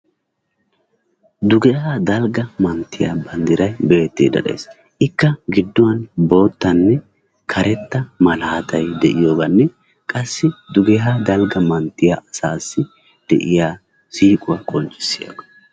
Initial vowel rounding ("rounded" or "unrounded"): rounded